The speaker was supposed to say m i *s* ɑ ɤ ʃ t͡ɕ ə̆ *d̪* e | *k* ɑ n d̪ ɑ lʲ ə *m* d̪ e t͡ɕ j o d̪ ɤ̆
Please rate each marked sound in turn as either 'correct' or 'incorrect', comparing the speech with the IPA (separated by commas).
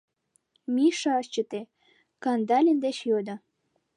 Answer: incorrect, incorrect, correct, incorrect